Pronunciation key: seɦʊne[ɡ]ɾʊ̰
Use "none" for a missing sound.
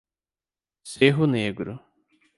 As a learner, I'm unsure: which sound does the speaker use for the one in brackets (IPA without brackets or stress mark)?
ɡ